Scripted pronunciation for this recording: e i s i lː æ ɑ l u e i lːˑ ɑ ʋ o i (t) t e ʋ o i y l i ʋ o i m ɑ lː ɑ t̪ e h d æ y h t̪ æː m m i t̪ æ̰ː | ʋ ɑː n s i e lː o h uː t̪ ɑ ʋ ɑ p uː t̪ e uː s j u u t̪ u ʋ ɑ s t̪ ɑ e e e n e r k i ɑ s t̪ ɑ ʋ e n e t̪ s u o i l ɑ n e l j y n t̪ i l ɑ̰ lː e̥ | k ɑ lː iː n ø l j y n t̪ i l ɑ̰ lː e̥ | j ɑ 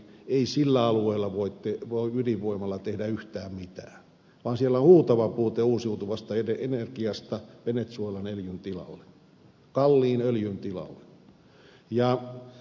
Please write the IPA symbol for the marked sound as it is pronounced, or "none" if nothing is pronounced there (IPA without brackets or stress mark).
t